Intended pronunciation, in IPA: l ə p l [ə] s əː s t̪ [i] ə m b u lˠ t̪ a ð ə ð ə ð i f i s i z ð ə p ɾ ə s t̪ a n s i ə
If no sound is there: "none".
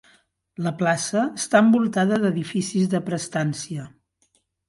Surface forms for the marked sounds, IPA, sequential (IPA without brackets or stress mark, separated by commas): a, a